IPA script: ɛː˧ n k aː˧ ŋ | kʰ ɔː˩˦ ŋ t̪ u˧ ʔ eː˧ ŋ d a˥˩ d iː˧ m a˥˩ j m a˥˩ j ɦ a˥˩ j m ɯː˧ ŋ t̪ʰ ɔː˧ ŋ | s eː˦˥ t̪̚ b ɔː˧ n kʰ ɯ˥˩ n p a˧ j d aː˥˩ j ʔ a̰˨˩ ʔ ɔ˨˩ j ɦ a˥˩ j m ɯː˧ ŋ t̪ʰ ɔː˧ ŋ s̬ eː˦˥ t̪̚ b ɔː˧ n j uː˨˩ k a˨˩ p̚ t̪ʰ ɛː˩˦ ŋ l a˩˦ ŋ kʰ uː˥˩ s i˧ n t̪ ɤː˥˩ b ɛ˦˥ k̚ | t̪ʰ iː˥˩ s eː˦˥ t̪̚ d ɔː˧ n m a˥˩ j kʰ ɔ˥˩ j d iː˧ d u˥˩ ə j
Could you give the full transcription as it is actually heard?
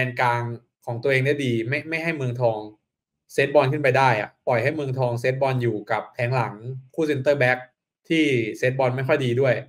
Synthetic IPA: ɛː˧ n k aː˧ ŋ | kʰ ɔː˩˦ ŋ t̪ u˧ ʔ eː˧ ŋ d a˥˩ d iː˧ m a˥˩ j m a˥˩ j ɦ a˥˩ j m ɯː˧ ŋ t̪ʰ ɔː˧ ŋ | s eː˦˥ t̪̚ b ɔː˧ n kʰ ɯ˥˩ n p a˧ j d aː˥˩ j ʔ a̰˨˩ p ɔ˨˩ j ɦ a˥˩ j m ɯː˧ ŋ t̪ʰ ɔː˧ ŋ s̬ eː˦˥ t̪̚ b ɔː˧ n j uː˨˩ k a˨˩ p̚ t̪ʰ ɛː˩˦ ŋ l a˩˦ ŋ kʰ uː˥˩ s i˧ n t̪ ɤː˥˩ b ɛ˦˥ k̚ | t̪ʰ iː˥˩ s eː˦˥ t̪̚ b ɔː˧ n m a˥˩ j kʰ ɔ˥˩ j d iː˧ d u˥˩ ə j